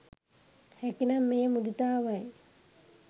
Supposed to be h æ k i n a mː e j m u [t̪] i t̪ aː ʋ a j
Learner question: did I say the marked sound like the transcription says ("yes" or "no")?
no